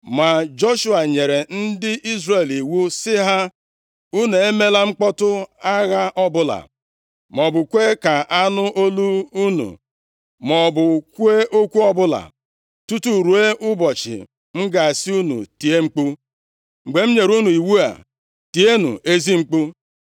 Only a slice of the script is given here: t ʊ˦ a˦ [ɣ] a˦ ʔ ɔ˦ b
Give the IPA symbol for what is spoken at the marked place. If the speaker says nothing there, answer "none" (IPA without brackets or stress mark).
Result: ɣ